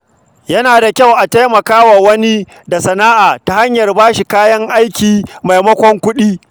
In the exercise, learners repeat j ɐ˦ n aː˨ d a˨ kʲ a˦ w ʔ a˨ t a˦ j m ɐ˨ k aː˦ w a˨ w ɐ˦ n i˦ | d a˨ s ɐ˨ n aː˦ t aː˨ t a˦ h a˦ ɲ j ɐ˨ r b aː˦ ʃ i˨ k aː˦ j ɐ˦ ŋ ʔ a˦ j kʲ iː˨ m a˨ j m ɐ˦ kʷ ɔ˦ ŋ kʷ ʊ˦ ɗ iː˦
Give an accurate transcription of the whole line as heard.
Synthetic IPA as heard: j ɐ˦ n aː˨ d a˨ kʲ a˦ w ʔ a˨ t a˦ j m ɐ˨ k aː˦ w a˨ w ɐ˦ n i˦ | d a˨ s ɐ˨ n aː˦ ʔ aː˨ t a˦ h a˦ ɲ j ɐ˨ r b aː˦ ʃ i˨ k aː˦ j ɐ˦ ŋ ʔ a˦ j kʲ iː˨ m a˨ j m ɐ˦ kʷ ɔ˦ ŋ kʷ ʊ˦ ɗ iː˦

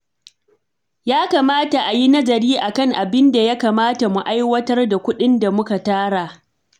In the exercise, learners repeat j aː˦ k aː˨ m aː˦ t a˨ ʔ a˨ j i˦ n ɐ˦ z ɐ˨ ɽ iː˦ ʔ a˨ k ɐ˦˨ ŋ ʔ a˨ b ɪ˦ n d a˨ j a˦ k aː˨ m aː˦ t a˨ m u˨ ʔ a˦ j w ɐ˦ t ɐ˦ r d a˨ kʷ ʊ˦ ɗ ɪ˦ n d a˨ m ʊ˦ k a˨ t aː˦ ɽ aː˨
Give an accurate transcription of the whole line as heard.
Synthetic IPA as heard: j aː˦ k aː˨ m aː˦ t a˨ ʔ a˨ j i˦ n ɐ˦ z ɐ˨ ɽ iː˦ ʔ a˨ k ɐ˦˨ ŋ ʔ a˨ b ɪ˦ n d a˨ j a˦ k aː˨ m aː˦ t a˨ m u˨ ʔ a˦ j w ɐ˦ t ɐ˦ r d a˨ kʷ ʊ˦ ɗ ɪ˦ n d a˨ m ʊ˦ k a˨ t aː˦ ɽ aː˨

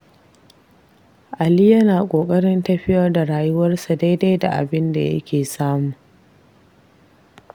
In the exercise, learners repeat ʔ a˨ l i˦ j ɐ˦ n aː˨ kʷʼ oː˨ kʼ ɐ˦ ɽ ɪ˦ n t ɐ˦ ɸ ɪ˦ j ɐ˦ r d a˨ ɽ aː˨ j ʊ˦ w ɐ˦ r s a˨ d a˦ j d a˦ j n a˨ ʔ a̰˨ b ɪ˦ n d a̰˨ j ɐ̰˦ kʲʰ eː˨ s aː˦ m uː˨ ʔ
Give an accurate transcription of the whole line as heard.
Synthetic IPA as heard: ʔ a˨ l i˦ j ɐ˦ n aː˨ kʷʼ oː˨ kʼ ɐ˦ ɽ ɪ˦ n t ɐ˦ ɸ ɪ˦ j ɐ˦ r d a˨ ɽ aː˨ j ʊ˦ w ɐ˦ r s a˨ d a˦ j d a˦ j d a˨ ʔ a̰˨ b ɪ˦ n d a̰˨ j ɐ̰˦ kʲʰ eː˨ s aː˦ m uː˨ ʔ

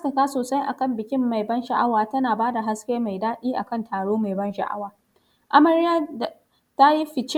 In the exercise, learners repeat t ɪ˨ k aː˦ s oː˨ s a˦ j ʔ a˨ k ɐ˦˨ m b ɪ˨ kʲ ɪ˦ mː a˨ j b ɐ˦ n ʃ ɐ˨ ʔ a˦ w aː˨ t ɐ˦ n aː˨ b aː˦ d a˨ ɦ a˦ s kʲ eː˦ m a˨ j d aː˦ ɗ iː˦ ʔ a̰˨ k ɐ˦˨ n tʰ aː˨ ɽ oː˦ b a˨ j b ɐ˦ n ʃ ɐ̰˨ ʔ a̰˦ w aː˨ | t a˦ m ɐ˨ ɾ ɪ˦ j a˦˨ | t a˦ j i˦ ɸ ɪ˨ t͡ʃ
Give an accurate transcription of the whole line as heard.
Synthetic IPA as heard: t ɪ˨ k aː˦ s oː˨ s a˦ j ʔ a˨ k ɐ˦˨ m b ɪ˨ kʲ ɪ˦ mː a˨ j b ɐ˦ n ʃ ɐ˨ ʔ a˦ w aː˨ t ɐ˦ n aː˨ b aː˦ d a˨ ɦ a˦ s kʲ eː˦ m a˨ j d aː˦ ɗ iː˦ ʔ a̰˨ k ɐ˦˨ n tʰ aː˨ ɽ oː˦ m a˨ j b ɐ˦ n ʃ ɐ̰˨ ʔ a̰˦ w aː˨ | ʔ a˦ m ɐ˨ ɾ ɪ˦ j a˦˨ | t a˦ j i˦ ɸ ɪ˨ t͡ʃ

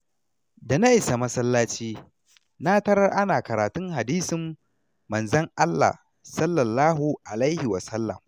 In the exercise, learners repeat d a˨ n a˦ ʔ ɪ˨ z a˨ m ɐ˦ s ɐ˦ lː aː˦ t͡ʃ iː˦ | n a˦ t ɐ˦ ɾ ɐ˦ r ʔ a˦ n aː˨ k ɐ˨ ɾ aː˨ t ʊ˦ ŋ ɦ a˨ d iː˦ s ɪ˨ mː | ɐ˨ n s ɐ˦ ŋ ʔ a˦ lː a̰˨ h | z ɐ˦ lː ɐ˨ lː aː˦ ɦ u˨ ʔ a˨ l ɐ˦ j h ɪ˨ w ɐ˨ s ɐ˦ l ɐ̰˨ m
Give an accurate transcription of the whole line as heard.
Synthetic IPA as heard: d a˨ n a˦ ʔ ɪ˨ s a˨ m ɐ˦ s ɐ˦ lː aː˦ t͡ʃ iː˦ | n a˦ t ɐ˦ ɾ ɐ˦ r ʔ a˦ n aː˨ k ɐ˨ ɾ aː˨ t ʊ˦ ŋ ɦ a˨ d iː˦ s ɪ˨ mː | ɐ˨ n z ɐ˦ ŋ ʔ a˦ lː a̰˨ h | s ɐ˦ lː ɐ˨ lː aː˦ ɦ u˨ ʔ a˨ l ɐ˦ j h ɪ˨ w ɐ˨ s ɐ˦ lː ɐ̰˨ m

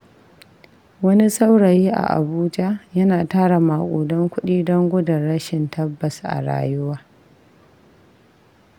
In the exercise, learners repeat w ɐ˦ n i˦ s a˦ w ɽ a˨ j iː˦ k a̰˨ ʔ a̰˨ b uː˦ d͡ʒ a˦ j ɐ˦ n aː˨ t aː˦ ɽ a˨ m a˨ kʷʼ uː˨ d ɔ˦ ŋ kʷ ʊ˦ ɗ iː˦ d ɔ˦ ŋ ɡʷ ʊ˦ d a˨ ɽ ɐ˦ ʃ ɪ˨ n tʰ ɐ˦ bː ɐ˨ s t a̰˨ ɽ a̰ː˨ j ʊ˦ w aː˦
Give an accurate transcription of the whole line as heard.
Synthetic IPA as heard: w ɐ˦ n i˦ s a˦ w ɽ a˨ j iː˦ ʔ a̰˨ ʔ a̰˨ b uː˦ d͡ʒ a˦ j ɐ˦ n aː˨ t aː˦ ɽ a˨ m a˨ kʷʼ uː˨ d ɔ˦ ŋ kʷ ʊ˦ ɗ iː˦ d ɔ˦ ŋ ɡʷ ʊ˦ d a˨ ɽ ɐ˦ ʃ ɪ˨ n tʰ ɐ˦ bː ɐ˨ s ʔ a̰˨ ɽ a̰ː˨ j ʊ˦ w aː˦

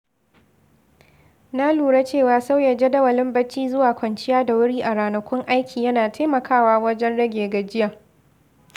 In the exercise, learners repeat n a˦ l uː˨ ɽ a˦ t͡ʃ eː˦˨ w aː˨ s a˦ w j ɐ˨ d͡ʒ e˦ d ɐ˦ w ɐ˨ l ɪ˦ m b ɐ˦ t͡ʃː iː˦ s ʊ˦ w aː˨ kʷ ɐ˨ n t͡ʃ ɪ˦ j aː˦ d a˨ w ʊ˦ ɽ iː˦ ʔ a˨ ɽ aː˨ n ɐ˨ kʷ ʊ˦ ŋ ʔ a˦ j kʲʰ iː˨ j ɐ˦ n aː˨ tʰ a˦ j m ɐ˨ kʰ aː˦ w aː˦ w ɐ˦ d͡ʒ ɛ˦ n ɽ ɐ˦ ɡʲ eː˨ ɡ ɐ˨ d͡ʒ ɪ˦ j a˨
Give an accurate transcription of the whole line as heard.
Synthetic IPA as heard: n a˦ l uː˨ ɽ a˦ t͡ʃ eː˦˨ w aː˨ s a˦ w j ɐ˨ d͡ʒ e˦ d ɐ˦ w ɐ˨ l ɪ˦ m b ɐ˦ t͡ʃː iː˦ z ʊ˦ w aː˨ kʷ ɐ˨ n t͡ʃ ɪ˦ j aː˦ d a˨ w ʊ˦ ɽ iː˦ ʔ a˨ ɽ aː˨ n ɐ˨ kʷ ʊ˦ ŋ ʔ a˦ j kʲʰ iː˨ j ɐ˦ n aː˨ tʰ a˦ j m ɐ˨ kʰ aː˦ w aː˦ w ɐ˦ d͡ʒ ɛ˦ n ɽ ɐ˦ ɡʲ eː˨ ɡ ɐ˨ d͡ʒ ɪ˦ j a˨

